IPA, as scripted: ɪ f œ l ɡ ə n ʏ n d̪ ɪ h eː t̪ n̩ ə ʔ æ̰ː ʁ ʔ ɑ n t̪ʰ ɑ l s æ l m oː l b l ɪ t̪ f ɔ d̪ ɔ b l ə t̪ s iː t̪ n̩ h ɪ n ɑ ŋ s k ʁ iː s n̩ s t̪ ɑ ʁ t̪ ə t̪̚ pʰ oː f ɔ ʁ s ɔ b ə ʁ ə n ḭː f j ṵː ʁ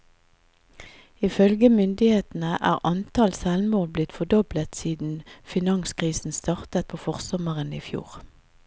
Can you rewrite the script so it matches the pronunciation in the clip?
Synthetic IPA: ɪ f œ l ɡ ə m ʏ n d̪ ɪ h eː t̪ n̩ ə ʔ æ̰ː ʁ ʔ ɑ n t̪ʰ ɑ l s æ l m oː l b l ɪ t̪ f ɔ d̪ ɔ b l ə t̪ s iː d̪ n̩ f ɪ n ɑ ŋ s k ʁ iː s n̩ s t̪ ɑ ʁ t̪ ə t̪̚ pʰ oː f ɔ ʁ s ɔ m ə ʁ ə n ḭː f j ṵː ʁ